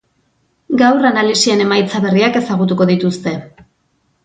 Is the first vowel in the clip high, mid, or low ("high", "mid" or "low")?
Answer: low